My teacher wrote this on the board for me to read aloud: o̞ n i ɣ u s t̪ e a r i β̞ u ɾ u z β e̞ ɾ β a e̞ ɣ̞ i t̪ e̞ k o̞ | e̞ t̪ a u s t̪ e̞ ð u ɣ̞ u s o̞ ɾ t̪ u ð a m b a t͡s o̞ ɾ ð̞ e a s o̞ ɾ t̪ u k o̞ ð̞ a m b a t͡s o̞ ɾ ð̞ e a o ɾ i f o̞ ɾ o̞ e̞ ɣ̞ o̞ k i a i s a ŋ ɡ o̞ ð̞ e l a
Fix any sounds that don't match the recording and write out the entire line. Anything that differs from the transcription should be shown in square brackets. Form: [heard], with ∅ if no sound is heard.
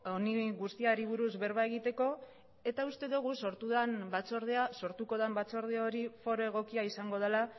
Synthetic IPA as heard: o̞ n i ɣ u s t̪ [i] a [ɾ] i β̞ u ɾ u z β e̞ ɾ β a e̞ ɣ̞ i t̪ e̞ k o̞ | e̞ t̪ a u s t̪ e̞ ð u ɣ̞ u s o̞ ɾ t̪ u ð a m b a t͡s o̞ ɾ ð̞ e a s o̞ ɾ t̪ u k o̞ ð̞ a m b a t͡s o̞ ɾ ð̞ e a o ɾ i f o̞ ɾ o̞ e̞ ɣ̞ o̞ k i a i s a ŋ ɡ o̞ ð̞ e l a

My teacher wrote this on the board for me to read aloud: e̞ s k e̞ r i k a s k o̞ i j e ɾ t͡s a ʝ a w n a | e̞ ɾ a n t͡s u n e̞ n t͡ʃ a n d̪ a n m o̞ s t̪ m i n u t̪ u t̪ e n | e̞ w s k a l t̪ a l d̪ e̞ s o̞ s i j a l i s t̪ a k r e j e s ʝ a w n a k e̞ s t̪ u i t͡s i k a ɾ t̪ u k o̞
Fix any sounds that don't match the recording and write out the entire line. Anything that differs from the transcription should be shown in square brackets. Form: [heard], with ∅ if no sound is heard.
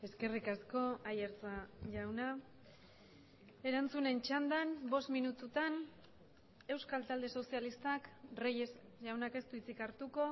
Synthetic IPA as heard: e̞ s k e̞ r i k a s k o̞ [a] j e ɾ t͡s a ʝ a w n a | e̞ ɾ a n t͡s u n e̞ n t͡ʃ a n d̪ a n [b] o̞ s t̪ m i n u t̪ u t̪ [a] n | e̞ w s k a l t̪ a l d̪ e̞ s o̞ s i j a l i s t̪ a k r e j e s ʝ a w n a k e̞ s t̪ u i t͡s i k a ɾ t̪ u k o̞

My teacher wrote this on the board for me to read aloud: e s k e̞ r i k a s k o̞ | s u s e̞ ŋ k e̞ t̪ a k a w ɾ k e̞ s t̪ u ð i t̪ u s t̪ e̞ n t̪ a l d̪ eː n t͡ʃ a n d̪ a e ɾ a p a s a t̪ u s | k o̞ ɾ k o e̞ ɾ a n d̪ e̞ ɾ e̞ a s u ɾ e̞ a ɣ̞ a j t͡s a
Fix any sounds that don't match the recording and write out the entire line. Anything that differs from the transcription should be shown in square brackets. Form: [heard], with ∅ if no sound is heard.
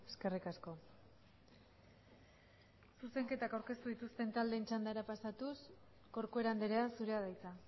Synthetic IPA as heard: e s k e̞ r i k a s k o̞ | s u s e̞ ŋ k e̞ t̪ a k a w ɾ k e̞ s t̪ u ð i t̪ u s t̪ e̞ n t̪ a l d̪ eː n t͡ʃ a n d̪ a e ɾ a p a s a t̪ u s | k o̞ ɾ k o e̞ ɾ a n d̪ e̞ ɾ e̞ a s u ɾ e̞ a [ð̞] a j t͡s a

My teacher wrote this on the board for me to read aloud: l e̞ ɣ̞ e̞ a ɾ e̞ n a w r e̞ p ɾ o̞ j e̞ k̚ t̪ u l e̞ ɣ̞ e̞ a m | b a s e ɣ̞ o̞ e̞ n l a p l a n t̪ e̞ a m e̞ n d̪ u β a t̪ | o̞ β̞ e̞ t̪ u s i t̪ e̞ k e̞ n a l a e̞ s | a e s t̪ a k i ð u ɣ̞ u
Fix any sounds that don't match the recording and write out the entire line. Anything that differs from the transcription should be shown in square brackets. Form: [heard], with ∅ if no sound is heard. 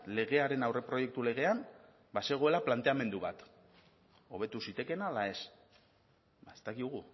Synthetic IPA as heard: l e̞ ɣ̞ e̞ a ɾ e̞ n a w r e̞ p ɾ o̞ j e̞ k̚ t̪ u l e̞ ɣ̞ e̞ a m | b a s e ɣ̞ o̞ e̞ [∅] l a p l a n t̪ e̞ a m e̞ n d̪ u β a t̪ | o̞ β̞ e̞ t̪ u s i t̪ e̞ k e̞ n a l a e̞ s | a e s t̪ a k i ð u ɣ̞ u

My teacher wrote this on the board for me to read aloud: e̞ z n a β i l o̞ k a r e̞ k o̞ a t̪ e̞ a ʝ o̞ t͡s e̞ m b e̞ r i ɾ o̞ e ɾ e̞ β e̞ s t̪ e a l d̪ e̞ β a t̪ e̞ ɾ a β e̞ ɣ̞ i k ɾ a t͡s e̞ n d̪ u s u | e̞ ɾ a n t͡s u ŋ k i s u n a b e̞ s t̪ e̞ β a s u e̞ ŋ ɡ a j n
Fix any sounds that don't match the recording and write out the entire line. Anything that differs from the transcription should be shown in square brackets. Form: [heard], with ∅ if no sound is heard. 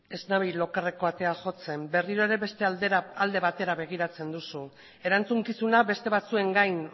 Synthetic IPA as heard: e̞ z n a β i l o̞ k a r e̞ k o̞ a t̪ e̞ a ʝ o̞ t͡s e̞ m b e̞ r i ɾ o̞ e ɾ e̞ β e̞ s t̪ e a l d̪ e̞ β a t̪ e̞ ɾ a β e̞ ɣ̞ i [∅] ɾ a t͡s e̞ n d̪ u s u | e̞ ɾ a n t͡s u ŋ k i s u n a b e̞ s t̪ e̞ β a [t͡s] u e̞ ŋ ɡ a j n

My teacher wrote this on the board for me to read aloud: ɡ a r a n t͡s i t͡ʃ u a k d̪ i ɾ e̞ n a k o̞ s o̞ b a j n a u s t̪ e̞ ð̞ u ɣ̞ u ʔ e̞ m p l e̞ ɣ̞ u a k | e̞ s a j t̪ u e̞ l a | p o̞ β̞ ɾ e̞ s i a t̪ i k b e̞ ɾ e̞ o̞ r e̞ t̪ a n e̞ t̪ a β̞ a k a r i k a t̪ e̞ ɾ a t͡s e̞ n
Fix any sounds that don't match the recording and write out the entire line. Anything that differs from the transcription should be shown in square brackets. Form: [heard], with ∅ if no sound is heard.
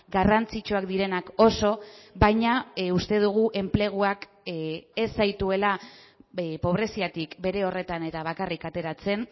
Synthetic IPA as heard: ɡ a r a n t͡s i t͡ʃ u a k d̪ i ɾ e̞ n a k o̞ s o̞ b a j [ɲ] a u s t̪ e̞ ð̞ u ɣ̞ u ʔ e̞ m p l e̞ ɣ̞ u a k | e̞ s a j t̪ u e̞ l a | p o̞ β̞ ɾ e̞ s i a t̪ i k b e̞ ɾ e̞ o̞ r e̞ t̪ a n e̞ t̪ a β̞ a k a r i k a t̪ e̞ ɾ a t͡s e̞ n

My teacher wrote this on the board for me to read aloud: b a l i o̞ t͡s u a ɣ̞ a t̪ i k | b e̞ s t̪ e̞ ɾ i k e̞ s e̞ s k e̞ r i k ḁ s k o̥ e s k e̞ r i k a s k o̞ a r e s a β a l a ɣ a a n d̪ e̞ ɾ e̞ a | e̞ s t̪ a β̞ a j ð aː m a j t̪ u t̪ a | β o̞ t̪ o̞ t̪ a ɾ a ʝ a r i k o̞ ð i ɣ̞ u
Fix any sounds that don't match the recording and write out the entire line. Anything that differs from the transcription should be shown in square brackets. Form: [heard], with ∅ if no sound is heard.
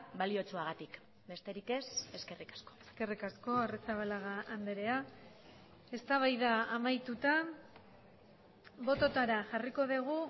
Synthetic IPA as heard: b a l i o̞ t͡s u a ɣ̞ a t̪ i k | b e̞ s t̪ e̞ ɾ i k e̞ s e̞ s k e̞ r i k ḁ s k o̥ e s k e̞ r i k a s k o̞ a r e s a β a l a ɣ a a n d̪ e̞ ɾ e̞ a | e̞ s t̪ a β̞ a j ð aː m a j t̪ u t̪ a | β o̞ t̪ o̞ t̪ a ɾ a ʝ a r i k o̞ ð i ɣ̞ u

